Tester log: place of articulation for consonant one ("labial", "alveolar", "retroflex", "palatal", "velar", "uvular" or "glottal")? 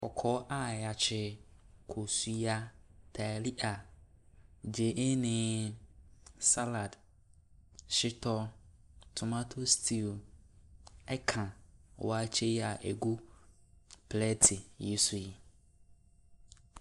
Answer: velar